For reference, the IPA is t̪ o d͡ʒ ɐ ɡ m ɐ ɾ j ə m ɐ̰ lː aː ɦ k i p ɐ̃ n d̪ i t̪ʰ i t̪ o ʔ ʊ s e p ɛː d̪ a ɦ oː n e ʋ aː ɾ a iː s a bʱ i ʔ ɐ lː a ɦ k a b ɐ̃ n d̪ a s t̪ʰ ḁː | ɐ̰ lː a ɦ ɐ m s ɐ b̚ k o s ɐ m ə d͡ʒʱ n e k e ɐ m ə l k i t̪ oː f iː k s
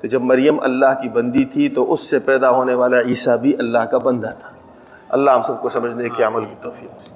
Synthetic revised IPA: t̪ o d͡ʒ ɐ b m ɐ ɾ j ə m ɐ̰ lː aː ɦ k i b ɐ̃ n d̪ i t̪ʰ i t̪ o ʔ ʊ sː e p ɛː d̪ a ɦ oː n e ʋ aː l a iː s a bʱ i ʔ ɐ lː a ɦ k a b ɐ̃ n d̪ a t̪ʰ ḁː | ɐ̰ lː a ɦ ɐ m s ɐ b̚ k o s ɐ m ə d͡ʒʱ n e k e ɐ m ə l k i t̪ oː f iː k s